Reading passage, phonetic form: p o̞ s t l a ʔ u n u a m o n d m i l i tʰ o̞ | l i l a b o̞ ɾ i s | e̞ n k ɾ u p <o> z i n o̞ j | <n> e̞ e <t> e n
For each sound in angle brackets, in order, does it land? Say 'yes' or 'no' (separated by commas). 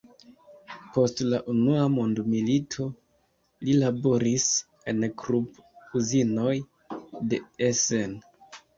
no, no, no